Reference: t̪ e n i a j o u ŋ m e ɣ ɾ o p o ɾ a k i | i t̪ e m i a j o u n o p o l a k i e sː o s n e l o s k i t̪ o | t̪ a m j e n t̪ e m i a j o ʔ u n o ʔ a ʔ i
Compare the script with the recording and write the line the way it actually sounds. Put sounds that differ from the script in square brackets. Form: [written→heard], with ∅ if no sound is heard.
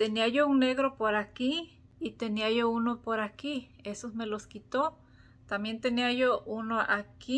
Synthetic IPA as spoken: t̪ e n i a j o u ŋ [m→n] e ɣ ɾ o p o ɾ a k i | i t̪ e [m→n] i a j o u n o p o [l→ɾ] a k i e [sː→s] o s [n→m] e l o s k i t̪ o | t̪ a m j e n t̪ e [m→n] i a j o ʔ u n o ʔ a [ʔ→k] i

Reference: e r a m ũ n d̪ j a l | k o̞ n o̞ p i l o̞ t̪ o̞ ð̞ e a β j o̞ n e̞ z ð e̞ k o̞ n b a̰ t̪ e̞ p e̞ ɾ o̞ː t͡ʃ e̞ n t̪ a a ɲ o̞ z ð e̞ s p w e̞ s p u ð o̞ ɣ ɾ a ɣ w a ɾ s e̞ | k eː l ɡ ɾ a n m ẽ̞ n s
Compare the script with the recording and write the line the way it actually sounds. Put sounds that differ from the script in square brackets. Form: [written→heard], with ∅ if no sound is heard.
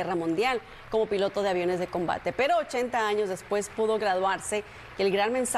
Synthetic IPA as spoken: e r a m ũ n d̪ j a l | k o̞ [n→m] o̞ p i l o̞ t̪ o̞ ð̞ e a β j o̞ n e̞ z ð e̞ k o̞ [n→m] b a̰ t̪ e̞ p e̞ ɾ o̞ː t͡ʃ e̞ n t̪ a a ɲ o̞ z ð e̞ s p w e̞ s p u ð o̞ ɣ ɾ a [ɣ→ð] w a ɾ s e̞ | k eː l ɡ ɾ a n m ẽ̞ n s

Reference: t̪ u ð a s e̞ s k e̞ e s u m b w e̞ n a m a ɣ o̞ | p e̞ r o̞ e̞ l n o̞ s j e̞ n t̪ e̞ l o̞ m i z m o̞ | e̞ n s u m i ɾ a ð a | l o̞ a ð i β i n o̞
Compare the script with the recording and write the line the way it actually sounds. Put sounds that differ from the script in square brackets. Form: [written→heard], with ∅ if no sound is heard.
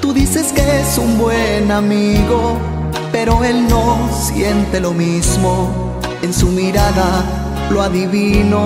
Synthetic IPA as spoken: t̪ u ð [a→i] s e̞ s k e̞ e s u m b w e̞ n a m [a→i] ɣ o̞ | p e̞ [r→ɾ] o̞ e̞ l n o̞ s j e̞ n t̪ e̞ l o̞ m i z m o̞ | e̞ n s u m i ɾ a ð a | l o̞ a ð i β i n o̞

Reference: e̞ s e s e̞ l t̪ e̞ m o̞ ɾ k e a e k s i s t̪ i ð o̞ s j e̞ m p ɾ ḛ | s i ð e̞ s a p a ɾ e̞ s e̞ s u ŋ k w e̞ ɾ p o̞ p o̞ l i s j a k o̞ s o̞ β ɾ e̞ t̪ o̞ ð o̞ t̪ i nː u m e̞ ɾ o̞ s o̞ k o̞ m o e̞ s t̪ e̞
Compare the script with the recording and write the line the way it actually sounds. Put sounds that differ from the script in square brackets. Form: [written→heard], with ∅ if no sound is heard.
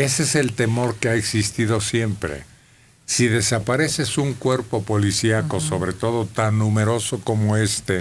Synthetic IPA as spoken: e̞ s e s e̞ l t̪ e̞ m o̞ ɾ k e a e k s i s t̪ i ð o̞ s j e̞ m p ɾ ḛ | s i ð e̞ s a p a ɾ e̞ s e̞ s u ŋ k w e̞ ɾ p o̞ p o̞ l i s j a k o̞ s o̞ β ɾ e̞ t̪ o̞ ð o̞ t̪ [i→a] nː u m e̞ ɾ o̞ s o̞ k o̞ m o e̞ s t̪ e̞

